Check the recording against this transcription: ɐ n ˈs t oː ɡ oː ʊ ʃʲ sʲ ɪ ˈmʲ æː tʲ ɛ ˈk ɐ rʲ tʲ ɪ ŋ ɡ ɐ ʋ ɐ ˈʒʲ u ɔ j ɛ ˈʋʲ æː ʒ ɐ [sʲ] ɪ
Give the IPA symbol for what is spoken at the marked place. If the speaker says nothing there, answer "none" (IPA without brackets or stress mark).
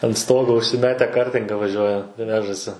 sʲ